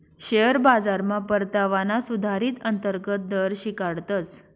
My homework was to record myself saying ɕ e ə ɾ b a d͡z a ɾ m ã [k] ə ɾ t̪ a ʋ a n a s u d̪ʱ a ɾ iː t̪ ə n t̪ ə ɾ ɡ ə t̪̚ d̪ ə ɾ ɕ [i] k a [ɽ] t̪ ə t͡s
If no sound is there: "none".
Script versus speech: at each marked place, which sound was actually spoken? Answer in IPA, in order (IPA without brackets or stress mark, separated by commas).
p, i, ɽ